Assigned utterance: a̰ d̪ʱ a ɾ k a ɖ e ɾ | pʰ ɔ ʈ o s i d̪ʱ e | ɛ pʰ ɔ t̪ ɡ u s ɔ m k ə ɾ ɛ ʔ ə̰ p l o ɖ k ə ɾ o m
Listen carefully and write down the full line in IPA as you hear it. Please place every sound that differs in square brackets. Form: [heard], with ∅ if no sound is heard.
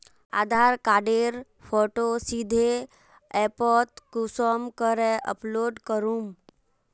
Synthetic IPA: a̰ d̪ʱ a ɾ k a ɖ e ɾ | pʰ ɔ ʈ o s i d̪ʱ e | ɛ [p] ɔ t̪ [k] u s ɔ m k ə ɾ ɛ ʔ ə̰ p l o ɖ k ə ɾ [u] m